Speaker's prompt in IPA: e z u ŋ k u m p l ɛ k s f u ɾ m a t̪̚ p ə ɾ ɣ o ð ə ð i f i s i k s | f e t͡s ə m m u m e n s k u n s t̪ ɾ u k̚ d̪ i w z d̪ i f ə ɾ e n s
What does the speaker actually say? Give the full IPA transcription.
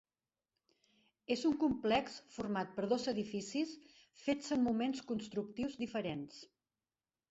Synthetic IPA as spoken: e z u ŋ k u m p l ɛ k s f u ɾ m a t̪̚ p ə ɾ ð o z ə ð i f i s i s | f e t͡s ə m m u m e n s k u n s t̪ ɾ u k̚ t̪ i w z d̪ i f ə ɾ e n s